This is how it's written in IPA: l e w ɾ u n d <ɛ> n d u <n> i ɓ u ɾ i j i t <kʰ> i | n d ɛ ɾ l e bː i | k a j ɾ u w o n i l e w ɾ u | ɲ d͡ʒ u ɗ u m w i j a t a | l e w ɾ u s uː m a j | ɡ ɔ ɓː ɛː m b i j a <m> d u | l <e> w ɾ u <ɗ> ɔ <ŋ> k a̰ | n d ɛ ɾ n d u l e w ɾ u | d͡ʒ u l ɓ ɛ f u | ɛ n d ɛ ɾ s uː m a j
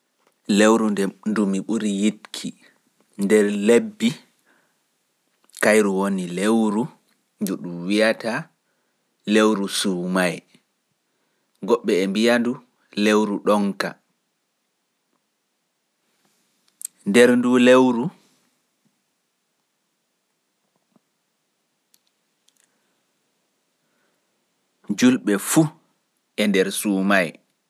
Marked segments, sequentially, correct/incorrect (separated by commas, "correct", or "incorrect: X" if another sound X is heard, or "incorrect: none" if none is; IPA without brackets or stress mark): correct, incorrect: m, correct, incorrect: n, correct, correct, correct